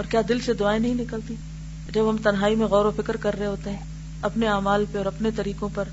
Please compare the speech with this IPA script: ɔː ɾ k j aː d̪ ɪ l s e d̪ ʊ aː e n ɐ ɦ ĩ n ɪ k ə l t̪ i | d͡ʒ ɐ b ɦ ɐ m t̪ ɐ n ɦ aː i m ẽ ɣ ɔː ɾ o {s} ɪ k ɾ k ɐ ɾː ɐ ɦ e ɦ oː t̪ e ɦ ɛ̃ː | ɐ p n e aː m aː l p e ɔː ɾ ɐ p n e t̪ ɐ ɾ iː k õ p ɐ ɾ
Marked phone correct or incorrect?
incorrect